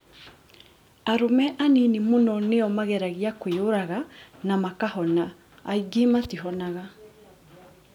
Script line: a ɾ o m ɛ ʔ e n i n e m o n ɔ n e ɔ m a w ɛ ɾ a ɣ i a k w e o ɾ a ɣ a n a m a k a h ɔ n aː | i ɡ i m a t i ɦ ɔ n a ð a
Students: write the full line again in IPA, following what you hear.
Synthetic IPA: a ɾ o m ɛ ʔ a n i n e m o n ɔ n e ɔ m a ɣ ɛ ɾ a ɣ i a k w e o ɾ a ɣ a n a m a k a h ɔ n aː | i ɡ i m a t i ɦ ɔ n a ɣ a